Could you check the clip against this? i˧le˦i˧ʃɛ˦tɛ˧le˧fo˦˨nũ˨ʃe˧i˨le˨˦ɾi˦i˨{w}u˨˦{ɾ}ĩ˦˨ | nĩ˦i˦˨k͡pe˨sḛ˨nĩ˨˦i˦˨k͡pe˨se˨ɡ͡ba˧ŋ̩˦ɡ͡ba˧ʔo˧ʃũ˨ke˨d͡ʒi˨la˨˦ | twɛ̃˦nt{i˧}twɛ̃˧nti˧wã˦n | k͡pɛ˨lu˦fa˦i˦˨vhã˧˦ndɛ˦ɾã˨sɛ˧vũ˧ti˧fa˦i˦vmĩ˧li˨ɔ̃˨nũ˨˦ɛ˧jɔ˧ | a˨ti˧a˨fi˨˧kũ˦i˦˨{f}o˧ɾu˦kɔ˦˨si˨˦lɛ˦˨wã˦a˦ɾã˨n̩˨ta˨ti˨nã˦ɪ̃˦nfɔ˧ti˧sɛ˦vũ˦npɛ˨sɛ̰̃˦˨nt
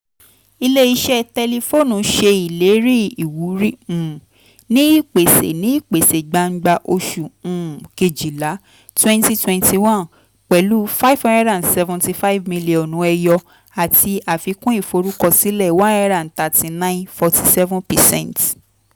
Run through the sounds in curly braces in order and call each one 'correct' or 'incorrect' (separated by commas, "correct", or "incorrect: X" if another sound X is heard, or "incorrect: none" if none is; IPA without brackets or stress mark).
correct, correct, correct, correct